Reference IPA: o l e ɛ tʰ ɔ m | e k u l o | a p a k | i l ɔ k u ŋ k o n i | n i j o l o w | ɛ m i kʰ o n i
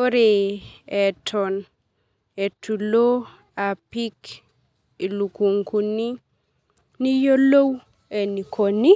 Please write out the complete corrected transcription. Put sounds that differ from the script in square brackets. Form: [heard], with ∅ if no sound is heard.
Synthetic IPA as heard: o [ɾ] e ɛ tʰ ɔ [n] | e [t] u l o | a p [i] k | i l [u] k u ŋ k [u] n i | n i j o l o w | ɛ [n] i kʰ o n i